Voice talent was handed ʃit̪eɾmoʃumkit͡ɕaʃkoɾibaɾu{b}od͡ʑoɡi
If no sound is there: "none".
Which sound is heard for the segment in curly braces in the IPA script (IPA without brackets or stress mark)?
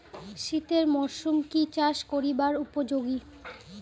p